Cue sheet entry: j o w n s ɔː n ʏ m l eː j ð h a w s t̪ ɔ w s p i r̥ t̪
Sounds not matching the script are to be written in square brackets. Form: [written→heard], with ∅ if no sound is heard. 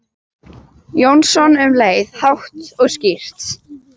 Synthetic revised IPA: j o w n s [ɔː→ɔ] n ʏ m l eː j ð h a w [s→h] t̪ ɔ [w→ɣ] s [p→c] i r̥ t̪